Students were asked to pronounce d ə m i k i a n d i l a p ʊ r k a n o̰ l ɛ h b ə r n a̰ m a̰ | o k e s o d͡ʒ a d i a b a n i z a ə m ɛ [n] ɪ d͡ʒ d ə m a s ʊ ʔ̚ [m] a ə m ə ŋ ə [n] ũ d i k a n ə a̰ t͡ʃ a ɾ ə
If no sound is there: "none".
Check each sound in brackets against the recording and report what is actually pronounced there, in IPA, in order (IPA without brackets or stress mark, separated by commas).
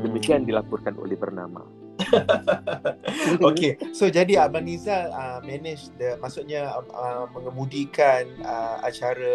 n, ɲ, m